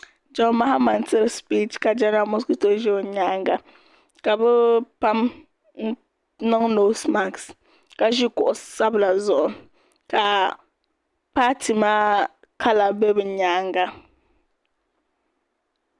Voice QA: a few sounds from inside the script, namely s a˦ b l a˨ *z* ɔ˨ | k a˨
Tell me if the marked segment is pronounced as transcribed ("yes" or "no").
yes